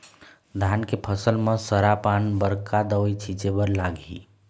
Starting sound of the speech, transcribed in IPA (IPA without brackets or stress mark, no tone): d̪ʱ